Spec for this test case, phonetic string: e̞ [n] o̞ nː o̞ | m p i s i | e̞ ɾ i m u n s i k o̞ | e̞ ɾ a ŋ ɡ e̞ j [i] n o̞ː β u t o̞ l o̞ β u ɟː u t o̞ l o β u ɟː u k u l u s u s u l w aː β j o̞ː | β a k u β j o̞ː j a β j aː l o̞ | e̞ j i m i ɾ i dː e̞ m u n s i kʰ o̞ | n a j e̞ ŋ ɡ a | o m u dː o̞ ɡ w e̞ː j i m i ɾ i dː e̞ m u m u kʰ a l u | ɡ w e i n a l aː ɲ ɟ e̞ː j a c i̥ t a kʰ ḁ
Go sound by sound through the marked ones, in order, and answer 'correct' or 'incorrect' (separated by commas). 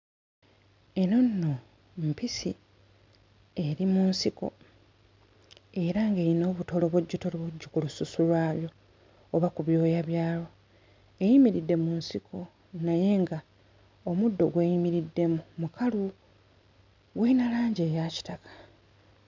correct, correct